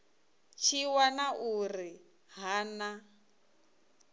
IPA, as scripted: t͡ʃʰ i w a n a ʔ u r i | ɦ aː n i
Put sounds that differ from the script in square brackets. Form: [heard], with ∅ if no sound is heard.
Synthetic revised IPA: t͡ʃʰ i w a n a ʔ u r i | ɦ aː n [a]